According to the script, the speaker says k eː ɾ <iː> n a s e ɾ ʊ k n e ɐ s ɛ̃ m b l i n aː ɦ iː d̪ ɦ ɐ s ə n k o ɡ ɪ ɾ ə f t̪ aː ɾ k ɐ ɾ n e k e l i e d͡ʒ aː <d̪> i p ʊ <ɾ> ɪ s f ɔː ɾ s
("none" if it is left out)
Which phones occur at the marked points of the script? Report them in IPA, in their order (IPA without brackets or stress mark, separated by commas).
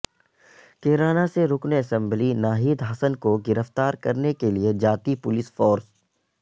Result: aː, t̪, l